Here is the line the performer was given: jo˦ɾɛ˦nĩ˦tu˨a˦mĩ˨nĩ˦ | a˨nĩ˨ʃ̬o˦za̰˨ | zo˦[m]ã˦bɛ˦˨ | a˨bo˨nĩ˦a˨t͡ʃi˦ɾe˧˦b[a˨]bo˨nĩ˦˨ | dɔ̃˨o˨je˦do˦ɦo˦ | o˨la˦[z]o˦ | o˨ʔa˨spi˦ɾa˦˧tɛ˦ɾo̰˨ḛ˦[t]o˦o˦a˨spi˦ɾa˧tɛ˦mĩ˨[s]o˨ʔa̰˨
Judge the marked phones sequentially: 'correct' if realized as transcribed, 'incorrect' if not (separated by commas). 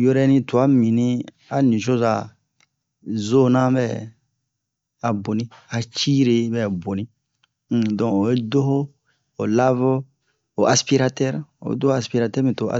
incorrect, incorrect, incorrect, incorrect, incorrect